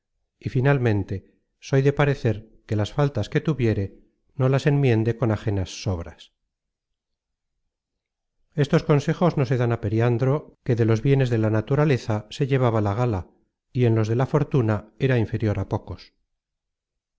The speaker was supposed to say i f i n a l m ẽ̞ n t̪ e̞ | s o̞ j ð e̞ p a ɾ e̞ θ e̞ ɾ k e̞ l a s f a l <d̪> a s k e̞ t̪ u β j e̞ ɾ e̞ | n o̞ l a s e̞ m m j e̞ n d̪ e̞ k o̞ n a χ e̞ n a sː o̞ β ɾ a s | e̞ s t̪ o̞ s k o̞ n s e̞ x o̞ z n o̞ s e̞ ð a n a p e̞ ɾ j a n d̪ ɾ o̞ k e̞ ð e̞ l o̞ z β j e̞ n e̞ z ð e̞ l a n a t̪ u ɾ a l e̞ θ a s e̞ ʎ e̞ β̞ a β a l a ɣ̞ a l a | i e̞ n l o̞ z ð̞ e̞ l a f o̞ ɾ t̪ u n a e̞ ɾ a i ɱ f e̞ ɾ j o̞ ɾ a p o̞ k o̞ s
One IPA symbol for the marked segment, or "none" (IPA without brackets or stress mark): t̪